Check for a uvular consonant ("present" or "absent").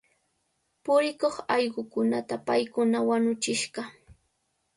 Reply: present